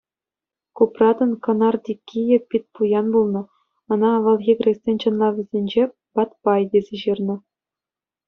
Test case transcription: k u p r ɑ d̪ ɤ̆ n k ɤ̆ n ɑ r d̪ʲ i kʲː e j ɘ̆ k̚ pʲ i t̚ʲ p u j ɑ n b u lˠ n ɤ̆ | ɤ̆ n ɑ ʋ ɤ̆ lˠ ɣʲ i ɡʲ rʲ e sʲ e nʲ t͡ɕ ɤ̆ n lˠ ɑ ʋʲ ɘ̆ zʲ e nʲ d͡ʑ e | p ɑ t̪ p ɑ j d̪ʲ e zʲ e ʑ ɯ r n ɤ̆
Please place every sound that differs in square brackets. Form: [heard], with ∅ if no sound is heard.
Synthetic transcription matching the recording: k u p r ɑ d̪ ɤ̆ n k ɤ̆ n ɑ r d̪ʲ i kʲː [i] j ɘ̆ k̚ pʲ i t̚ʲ p u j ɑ n b u lˠ n ɤ̆ | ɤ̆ n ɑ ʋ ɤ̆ lˠ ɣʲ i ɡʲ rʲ e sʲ e nʲ t͡ɕ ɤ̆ n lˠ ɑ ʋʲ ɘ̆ zʲ e nʲ d͡ʑ e | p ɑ t̪ p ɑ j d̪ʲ e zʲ e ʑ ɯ r n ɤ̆